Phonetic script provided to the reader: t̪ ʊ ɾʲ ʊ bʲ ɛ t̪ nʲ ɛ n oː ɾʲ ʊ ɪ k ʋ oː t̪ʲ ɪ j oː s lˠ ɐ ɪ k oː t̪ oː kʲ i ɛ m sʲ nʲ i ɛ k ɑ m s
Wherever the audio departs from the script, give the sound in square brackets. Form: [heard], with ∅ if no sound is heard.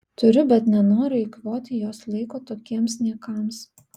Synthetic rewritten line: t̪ ʊ ɾʲ ʊ bʲ ɛ t̪ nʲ ɛ n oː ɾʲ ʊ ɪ k ʋ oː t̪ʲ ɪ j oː s lˠ ɐ ɪ k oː t̪ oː kʲ i ɛ m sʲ nʲ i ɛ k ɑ m s